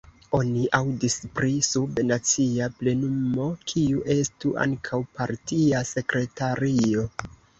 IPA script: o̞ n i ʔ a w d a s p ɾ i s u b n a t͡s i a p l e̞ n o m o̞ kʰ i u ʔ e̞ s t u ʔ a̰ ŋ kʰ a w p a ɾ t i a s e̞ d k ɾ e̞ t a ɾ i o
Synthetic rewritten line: o̞ n i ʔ a w d i s p ɾ i s u b n a t͡s i a p l e̞ n u m o̞ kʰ i u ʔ e̞ s t u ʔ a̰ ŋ kʰ a w p a ɾ t i a s e̞ k ɾ e̞ t a ɾ i o